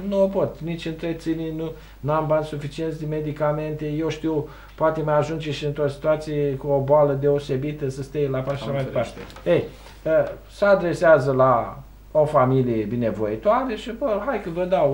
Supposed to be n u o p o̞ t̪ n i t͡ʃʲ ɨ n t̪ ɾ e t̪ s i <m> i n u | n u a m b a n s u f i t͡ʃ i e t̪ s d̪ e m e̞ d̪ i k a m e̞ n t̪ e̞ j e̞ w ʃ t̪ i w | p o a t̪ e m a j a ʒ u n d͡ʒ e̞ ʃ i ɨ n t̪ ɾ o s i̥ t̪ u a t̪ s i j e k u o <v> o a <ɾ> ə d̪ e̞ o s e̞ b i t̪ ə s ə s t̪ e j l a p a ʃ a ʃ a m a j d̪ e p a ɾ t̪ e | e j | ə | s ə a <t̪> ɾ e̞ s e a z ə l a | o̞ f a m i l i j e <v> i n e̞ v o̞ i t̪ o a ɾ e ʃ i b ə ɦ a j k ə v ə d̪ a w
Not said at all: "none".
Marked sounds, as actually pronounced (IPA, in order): n, b, l, d̪, b

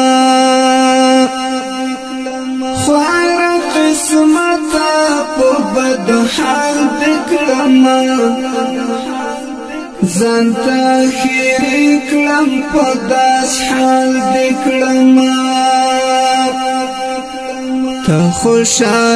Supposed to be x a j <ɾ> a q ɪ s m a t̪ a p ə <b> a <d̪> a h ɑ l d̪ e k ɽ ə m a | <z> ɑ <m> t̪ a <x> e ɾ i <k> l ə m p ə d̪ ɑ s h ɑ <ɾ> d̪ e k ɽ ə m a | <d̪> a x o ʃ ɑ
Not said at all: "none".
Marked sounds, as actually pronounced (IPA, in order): ɾ, b, d̪, z, n, x, k, l, t̪

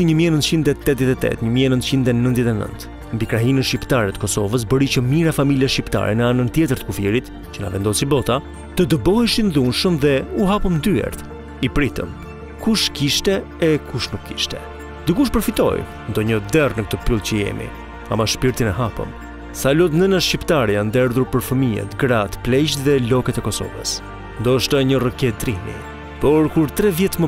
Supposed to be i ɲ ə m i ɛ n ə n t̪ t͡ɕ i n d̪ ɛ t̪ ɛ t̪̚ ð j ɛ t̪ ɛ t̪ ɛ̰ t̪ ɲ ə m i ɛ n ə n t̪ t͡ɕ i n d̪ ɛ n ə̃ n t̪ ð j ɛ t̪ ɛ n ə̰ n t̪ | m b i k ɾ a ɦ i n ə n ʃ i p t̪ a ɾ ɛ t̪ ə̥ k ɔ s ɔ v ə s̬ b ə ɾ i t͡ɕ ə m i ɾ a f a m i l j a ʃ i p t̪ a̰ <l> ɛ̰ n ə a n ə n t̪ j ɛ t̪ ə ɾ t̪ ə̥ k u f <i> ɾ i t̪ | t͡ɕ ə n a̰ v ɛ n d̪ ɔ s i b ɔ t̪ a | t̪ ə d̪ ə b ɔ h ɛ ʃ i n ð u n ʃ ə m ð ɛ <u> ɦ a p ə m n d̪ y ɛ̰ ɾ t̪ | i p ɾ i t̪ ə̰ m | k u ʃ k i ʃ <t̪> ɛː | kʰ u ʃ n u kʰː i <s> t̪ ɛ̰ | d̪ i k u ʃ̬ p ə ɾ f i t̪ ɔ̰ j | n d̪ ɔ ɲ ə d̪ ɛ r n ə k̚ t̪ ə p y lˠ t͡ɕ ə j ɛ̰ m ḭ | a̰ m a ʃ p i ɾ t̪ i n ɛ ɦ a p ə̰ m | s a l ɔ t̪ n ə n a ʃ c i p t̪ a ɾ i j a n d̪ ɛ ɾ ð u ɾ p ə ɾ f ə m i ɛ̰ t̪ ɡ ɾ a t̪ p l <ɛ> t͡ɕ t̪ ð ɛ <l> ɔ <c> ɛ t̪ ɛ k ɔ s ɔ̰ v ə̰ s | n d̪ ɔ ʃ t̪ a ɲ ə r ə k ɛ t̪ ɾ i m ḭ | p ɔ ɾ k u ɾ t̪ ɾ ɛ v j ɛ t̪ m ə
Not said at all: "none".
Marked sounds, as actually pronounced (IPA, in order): ɾ, i, u, t̪, ʃ, ɛ, l, k

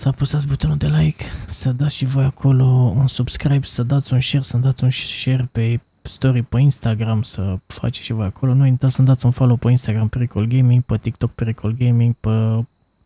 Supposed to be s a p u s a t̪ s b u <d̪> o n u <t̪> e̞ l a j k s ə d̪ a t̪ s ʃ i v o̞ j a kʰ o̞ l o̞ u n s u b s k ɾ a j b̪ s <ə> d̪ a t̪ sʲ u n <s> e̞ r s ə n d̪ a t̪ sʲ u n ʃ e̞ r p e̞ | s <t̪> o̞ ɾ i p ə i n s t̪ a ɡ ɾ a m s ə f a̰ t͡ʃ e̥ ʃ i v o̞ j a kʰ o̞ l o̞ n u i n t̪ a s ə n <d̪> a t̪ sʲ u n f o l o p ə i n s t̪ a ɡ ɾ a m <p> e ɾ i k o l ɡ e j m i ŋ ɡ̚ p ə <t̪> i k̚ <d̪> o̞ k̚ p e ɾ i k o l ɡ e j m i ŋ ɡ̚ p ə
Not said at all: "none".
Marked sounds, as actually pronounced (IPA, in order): t̪, d̪, ə, ʃ, t̪, d̪, p, t̪, t̪

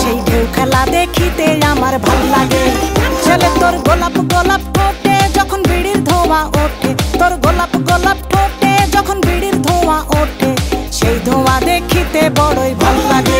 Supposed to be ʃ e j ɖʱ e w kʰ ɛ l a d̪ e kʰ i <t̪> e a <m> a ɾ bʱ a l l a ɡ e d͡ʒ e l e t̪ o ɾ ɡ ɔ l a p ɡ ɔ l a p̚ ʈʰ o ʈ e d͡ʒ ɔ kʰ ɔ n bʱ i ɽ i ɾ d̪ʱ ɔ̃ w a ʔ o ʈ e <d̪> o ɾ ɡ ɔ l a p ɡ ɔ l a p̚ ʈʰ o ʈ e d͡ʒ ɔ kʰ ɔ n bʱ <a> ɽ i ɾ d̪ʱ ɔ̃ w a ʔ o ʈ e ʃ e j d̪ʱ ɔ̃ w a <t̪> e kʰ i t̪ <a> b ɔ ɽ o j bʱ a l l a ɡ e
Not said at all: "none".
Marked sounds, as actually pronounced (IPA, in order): t̪, m, t̪, i, d̪, e

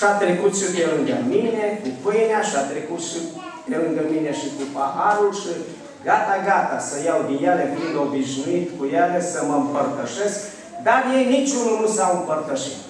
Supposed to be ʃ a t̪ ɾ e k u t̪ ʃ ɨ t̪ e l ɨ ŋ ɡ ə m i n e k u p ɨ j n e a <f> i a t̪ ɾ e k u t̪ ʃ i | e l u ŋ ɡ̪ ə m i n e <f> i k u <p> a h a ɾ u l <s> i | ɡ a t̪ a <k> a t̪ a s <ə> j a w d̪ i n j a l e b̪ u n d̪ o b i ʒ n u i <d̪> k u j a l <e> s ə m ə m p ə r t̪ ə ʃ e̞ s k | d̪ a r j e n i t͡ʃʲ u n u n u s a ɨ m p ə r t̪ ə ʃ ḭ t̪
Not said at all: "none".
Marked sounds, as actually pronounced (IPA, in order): ʃ, ʃ, p, ʃ, ɡ, ə, t̪, e

